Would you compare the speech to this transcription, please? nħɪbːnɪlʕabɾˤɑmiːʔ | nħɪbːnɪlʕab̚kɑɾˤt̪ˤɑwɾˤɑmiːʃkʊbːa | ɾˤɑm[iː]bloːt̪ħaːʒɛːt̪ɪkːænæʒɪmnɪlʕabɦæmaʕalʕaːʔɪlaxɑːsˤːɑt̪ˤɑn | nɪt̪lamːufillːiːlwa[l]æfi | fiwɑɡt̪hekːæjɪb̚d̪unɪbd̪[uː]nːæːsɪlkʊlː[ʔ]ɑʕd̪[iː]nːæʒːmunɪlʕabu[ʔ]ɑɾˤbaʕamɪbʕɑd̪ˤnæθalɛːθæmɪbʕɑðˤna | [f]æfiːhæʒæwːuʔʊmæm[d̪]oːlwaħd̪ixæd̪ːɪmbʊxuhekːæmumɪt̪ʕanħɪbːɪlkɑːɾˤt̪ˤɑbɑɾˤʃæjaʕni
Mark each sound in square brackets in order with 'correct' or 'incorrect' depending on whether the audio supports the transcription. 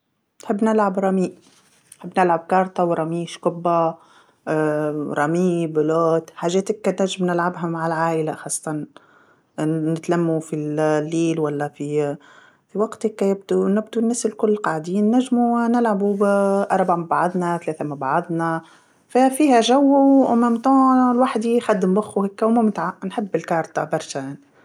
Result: correct, incorrect: lː, incorrect: u, incorrect: q, correct, correct, correct, incorrect: t̪

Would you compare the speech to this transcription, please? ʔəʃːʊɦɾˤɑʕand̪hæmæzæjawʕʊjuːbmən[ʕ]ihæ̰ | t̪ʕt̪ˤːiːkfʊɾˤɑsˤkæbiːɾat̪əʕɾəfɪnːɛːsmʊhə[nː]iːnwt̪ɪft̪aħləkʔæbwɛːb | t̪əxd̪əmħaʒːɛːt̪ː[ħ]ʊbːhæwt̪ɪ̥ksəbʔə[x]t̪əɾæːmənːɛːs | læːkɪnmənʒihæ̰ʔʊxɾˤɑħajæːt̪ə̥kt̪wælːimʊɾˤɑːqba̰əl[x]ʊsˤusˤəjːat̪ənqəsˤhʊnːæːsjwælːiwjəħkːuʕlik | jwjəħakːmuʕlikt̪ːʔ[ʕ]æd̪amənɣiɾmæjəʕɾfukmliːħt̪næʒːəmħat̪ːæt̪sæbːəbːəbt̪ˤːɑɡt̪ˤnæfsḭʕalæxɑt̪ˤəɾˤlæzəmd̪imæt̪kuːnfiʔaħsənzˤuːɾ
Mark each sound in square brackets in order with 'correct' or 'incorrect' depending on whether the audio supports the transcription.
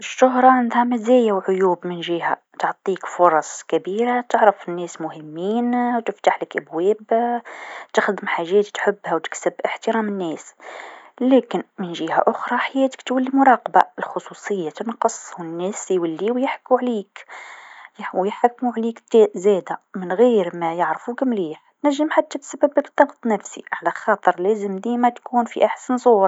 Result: incorrect: ʒ, incorrect: mː, correct, incorrect: ħ, correct, incorrect: z

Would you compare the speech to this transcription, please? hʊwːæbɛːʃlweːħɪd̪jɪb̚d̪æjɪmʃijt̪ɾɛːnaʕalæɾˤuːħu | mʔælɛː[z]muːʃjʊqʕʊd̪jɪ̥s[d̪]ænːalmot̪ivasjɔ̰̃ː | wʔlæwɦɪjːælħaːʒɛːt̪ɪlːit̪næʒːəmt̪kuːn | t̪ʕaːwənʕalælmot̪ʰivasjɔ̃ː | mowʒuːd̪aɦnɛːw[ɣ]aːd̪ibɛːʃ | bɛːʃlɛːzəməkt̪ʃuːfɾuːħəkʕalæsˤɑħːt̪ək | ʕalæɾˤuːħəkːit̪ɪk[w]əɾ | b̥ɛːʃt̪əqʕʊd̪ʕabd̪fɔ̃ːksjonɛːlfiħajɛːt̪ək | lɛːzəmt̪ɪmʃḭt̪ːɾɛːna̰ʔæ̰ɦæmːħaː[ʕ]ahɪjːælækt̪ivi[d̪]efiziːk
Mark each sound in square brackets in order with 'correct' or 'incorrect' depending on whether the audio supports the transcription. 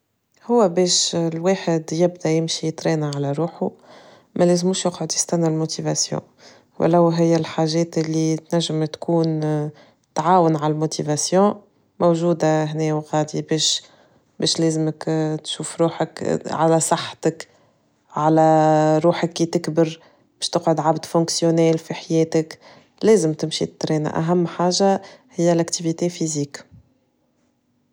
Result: correct, incorrect: t̪, correct, incorrect: b, incorrect: ʒ, incorrect: t̪

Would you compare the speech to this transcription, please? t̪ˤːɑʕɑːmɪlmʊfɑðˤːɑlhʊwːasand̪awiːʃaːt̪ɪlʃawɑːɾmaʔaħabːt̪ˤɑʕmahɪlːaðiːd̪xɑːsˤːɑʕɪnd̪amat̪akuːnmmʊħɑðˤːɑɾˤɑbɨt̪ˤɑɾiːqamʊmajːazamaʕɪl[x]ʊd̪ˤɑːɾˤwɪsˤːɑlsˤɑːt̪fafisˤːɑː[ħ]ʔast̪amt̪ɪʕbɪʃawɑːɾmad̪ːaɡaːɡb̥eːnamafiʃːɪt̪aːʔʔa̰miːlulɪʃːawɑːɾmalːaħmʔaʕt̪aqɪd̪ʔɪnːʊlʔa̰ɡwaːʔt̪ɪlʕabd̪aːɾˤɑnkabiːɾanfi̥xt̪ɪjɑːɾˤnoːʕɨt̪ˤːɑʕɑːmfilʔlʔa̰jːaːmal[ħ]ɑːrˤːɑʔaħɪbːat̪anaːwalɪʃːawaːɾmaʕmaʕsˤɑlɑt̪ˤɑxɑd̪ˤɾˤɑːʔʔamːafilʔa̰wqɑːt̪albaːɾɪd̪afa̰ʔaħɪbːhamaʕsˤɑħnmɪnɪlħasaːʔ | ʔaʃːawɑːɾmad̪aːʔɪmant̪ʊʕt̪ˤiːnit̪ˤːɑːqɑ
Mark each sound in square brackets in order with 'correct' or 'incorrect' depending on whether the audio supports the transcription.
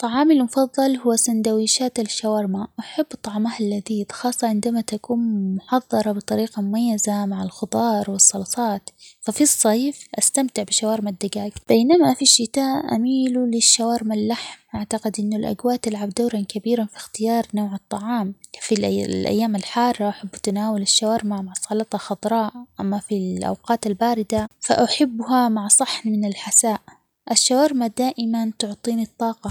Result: correct, incorrect: f, correct

